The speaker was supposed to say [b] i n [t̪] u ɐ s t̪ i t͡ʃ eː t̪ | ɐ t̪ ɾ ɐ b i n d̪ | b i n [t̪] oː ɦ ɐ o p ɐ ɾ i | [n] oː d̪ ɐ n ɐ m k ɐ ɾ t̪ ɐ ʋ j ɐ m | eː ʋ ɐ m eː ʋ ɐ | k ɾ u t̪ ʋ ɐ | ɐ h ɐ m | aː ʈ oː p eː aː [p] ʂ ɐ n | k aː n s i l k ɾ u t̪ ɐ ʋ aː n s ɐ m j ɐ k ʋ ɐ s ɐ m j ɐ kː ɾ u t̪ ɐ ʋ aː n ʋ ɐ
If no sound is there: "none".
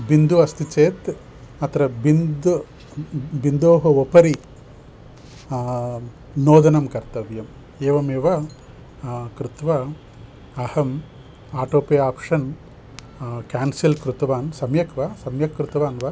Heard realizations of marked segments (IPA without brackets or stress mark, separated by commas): b, d̪, d̪, n, p